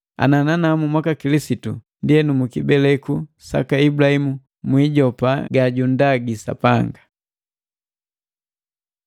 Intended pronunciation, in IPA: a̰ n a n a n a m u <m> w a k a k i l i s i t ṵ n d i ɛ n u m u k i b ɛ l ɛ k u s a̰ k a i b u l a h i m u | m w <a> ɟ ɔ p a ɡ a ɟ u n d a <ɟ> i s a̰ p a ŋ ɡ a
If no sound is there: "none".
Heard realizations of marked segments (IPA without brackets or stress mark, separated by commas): m, i, ɡ